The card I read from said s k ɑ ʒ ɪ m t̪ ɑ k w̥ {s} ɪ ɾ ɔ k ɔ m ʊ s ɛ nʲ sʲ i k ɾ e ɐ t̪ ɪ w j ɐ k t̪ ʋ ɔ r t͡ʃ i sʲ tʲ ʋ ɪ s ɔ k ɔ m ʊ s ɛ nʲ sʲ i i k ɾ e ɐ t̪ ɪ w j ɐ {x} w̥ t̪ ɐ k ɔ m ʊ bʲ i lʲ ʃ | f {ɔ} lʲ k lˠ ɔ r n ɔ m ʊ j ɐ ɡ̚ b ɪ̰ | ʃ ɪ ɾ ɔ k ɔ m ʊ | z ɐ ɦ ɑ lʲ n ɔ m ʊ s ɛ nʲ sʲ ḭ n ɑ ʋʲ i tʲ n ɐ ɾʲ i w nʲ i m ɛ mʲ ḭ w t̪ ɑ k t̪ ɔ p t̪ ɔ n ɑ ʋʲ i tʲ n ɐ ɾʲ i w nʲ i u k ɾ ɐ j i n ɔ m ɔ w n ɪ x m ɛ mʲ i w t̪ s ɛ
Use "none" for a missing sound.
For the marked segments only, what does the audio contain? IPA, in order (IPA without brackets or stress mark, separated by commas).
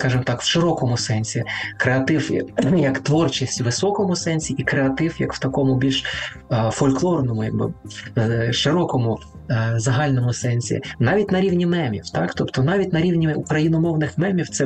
ʃ, k, ɔ